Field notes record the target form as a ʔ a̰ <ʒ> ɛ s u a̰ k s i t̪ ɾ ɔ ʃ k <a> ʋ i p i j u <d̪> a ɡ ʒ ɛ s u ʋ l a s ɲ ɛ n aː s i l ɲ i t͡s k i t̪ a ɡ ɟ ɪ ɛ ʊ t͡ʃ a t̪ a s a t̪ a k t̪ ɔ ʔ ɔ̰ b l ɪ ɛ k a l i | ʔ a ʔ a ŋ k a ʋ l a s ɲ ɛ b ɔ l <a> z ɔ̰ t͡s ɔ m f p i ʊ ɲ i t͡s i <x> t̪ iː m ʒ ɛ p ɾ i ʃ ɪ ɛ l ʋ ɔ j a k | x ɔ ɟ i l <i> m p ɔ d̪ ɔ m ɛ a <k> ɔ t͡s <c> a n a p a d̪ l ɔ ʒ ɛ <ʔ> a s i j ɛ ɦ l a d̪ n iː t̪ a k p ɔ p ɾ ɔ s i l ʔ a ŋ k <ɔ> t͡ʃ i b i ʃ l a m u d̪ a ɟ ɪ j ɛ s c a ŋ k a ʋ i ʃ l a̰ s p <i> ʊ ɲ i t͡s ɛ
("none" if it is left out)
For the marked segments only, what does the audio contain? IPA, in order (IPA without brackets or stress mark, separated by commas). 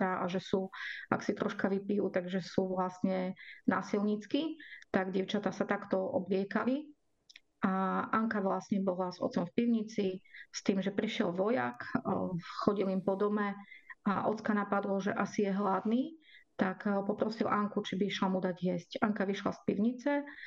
ʒ, a, t̪, a, s, i, ʔ, k, ʔ, u, i